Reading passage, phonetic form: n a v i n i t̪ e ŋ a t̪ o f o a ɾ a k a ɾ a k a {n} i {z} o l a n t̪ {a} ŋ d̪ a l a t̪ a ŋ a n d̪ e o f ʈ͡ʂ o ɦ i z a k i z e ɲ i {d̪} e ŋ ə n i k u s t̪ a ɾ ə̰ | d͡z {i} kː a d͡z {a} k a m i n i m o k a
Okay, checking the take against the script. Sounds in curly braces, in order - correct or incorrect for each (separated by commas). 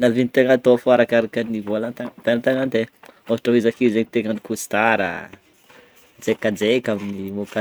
correct, incorrect, correct, incorrect, incorrect, incorrect